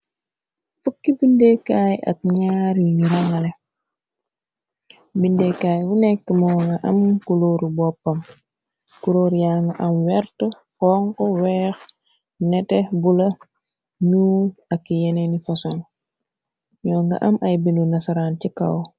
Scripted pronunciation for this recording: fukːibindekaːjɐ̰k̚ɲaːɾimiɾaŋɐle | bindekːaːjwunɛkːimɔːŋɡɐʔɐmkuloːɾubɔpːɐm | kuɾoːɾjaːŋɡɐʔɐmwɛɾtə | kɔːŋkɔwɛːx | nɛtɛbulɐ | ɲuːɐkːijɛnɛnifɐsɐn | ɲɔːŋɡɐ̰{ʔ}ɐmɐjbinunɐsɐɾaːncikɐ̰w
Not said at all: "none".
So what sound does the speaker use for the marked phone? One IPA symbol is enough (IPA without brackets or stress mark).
ʔ